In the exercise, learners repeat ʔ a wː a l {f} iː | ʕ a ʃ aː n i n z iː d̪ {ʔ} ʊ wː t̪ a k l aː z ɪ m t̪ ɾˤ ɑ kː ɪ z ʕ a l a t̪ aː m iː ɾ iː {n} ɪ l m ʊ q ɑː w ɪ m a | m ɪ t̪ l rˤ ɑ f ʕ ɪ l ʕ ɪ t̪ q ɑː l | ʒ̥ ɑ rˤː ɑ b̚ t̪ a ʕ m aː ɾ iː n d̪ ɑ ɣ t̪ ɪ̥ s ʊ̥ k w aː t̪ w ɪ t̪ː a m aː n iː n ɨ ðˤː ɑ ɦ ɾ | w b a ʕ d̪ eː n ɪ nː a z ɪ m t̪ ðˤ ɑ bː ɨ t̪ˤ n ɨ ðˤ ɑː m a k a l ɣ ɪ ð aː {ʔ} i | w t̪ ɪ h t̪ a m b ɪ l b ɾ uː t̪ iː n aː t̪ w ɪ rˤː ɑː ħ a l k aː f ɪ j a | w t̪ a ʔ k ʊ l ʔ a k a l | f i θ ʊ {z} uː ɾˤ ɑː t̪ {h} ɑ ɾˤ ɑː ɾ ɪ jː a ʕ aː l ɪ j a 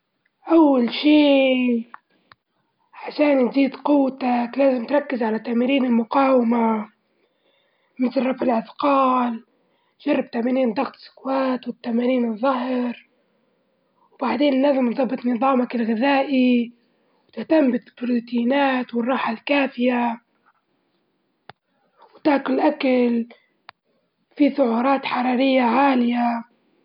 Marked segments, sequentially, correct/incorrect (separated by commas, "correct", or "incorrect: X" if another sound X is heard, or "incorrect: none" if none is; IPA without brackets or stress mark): incorrect: ʃ, incorrect: q, correct, correct, incorrect: ʕ, incorrect: ħ